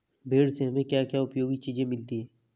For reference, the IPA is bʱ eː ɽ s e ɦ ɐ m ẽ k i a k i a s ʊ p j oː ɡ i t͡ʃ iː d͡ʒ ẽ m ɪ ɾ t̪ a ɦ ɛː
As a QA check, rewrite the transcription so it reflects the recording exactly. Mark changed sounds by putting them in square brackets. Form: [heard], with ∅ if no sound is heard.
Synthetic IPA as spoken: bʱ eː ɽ s e ɦ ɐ m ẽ k [j] a k [j] a [∅] ʊ p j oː ɡ i t͡ʃ iː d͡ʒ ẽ m ɪ [l] t̪ [i] ɦ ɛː